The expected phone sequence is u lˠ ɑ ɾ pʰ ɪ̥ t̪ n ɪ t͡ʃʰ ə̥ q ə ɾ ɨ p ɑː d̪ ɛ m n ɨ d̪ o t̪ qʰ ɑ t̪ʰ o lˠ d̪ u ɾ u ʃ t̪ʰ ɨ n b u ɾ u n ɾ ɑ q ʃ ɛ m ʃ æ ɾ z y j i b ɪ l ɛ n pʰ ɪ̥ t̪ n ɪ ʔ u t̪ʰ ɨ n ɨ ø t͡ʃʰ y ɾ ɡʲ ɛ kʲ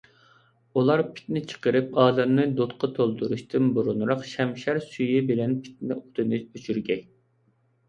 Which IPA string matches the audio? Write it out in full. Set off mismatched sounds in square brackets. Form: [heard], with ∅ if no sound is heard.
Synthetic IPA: u lˠ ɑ ɾ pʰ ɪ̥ t̪ n ɪ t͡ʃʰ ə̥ q ə ɾ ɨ p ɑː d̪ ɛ m n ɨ d̪ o t̪ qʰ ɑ t̪ʰ o lˠ d̪ u ɾ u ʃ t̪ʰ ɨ n b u ɾ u n ɾ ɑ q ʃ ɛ m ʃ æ ɾ [s] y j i b ɪ l ɛ n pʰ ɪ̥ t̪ n ɪ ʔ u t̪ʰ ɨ n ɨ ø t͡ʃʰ y ɾ ɡʲ ɛ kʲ